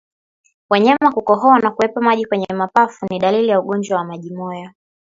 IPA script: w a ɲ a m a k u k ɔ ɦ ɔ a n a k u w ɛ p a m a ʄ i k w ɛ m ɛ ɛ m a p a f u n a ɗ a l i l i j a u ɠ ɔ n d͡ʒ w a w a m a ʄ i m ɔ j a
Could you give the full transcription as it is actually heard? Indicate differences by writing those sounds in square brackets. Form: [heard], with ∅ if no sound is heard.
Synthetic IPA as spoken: w a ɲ a m a k u k ɔ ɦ ɔ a n a k u w ɛ p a m a ʄ i k w ɛ [ɲ] ɛ ɛ m a p a f u n [i] ɗ a l i l i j a u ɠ ɔ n d͡ʒ w a w a m a ʄ i m ɔ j a